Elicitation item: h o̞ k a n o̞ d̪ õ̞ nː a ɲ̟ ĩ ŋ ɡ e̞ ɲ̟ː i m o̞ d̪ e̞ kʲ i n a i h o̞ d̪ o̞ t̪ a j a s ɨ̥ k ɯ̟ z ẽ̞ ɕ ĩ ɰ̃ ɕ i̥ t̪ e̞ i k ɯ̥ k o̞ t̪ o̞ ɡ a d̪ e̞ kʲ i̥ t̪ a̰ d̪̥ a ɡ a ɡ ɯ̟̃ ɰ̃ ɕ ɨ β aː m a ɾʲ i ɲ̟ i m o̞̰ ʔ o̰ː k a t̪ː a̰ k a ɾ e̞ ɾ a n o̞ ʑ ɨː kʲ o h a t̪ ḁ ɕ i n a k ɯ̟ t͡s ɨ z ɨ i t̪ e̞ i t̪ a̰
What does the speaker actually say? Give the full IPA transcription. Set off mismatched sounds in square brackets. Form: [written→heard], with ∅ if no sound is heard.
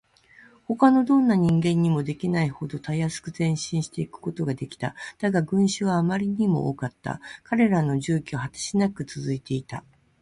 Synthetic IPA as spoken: h o̞ k a n o̞ d̪ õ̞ nː a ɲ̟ ĩ ŋ ɡ [e̞→ẽ̞] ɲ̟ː i m o̞ d̪ e̞ kʲ i n a i h o̞ d̪ o̞ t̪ a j a s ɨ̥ k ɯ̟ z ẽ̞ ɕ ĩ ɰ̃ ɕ i̥ t̪ e̞ i k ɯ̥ k o̞ t̪ o̞ ɡ a d̪ e̞ kʲ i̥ t̪ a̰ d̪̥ a ɡ a ɡ ɯ̟̃ ɰ̃ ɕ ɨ β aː m a ɾʲ i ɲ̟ i m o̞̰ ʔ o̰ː k a t̪ː a̰ k a ɾ e̞ ɾ a n o̞ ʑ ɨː kʲ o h a t̪ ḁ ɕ i n a k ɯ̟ t͡s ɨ z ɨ i t̪ e̞ i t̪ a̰